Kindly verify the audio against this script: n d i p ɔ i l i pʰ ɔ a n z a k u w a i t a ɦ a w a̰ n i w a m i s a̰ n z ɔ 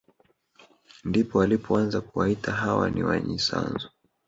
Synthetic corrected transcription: n d i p ɔ a l i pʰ ɔ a n z a k u w a i t a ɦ a w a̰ n i w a ɲ i s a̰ n z ɔ